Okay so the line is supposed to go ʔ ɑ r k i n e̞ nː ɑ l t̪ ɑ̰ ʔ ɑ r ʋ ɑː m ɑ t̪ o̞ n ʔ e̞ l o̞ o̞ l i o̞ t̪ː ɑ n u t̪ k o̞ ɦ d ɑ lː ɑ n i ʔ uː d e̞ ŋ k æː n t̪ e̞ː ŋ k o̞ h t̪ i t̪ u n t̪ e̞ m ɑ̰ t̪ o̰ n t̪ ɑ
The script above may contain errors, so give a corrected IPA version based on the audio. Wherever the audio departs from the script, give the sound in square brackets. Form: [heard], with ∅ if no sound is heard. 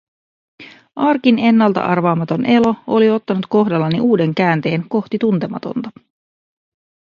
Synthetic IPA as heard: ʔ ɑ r k i n e̞ nː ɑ l t̪ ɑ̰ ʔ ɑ r ʋ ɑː m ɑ t̪ o̞ n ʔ e̞ l o̞ o̞ l i o̞ t̪ː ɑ n u t̪ k o̞ ɦ d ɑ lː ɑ n i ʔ uː d e̞ ŋ k æː n t̪ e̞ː ŋ k o̞ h t̪ i t̪ u n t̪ e̞ m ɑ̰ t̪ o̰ n t̪ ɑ